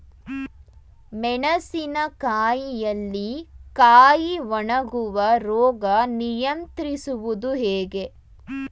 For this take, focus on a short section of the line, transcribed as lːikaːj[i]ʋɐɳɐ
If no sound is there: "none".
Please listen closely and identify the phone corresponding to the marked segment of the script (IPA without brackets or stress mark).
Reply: i